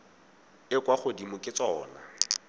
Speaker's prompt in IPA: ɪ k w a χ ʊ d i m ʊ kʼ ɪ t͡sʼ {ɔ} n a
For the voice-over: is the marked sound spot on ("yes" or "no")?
no